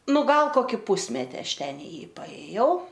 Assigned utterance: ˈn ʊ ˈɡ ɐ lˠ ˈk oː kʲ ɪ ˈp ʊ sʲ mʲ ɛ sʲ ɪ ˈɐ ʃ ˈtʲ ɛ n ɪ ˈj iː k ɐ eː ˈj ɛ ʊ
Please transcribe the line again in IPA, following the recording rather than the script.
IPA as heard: ˈn ʊ ˈɡ ɐ lˠ ˈk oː kʲ ɪ ˈp ʊ sʲ mʲ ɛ tʲ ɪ ˈɐ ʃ ˈtʲ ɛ n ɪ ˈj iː p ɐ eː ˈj ɛ ʊ